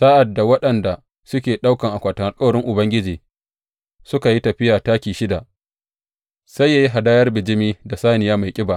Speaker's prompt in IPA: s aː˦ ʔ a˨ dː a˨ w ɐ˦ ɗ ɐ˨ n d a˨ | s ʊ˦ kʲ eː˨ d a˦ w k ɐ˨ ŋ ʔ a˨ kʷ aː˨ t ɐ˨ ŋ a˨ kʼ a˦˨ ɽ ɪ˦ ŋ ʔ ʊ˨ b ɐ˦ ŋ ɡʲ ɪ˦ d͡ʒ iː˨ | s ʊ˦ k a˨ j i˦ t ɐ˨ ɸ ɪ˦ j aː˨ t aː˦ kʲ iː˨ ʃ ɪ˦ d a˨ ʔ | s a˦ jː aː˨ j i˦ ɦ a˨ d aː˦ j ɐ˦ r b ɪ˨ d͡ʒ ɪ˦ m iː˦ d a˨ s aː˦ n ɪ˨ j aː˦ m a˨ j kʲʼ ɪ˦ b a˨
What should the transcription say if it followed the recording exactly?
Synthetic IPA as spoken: s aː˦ ʔ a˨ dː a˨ w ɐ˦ ɗ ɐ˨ n d a˨ | s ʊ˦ kʲ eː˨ ɗ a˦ w k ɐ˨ ŋ ʔ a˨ kʷ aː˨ t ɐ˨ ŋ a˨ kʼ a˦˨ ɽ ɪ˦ ŋ ʔ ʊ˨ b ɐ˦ ŋ ɡʲ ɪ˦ d͡ʒ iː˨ | s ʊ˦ k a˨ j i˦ t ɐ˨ ɸ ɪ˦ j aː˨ t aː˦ kʲ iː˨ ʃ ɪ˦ d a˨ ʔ | s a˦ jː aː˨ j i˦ ɦ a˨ d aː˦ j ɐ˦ r b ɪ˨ d͡ʒ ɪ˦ m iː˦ d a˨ s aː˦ n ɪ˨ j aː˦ m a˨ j kʲʼ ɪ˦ b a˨